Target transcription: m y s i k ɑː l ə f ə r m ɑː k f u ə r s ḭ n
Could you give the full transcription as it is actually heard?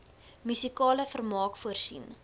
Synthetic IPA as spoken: m y s i k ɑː l ə f ə r m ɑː k f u ə r s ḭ n